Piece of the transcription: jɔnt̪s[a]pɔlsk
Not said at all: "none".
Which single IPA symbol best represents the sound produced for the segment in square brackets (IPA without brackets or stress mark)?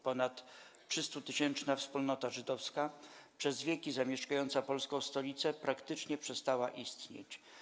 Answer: a